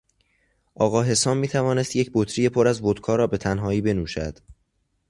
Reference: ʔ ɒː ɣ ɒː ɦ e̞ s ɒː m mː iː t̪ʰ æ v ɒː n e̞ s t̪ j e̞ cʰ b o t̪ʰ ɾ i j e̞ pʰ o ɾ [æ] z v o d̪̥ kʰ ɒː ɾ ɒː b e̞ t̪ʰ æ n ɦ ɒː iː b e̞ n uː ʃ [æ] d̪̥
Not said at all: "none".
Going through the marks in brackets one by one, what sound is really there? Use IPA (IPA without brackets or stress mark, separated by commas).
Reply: æ, æ